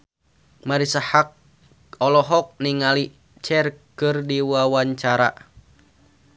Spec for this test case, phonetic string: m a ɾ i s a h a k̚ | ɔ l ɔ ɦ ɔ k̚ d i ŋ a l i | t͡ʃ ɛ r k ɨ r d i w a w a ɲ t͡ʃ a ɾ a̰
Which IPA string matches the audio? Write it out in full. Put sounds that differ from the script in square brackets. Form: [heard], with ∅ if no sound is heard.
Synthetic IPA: m a ɾ i s a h a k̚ | ɔ l ɔ ɦ ɔ k̚ [n] i ŋ a l i | t͡ʃ ɛ r k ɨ r d i w a w a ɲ t͡ʃ a ɾ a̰